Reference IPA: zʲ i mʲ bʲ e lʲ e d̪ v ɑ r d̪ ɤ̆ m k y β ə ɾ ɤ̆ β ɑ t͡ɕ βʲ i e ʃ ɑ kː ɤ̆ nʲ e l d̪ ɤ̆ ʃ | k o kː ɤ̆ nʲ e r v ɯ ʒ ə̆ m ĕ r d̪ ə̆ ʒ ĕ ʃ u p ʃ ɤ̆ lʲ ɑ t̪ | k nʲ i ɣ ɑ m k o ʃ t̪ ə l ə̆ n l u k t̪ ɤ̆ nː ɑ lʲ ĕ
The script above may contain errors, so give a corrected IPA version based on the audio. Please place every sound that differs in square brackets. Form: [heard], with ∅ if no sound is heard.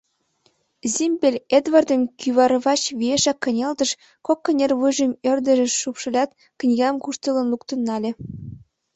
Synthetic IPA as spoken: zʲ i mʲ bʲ e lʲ e d̪ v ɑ r d̪ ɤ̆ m k y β [ɑ] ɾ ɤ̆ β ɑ t͡ɕ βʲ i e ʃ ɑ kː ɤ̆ nʲ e l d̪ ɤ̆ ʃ | k o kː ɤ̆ nʲ e r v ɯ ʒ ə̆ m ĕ r d̪ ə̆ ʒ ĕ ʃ u p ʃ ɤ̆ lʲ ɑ t̪ | k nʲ i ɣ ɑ m k [u] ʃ t̪ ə l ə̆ n l u k t̪ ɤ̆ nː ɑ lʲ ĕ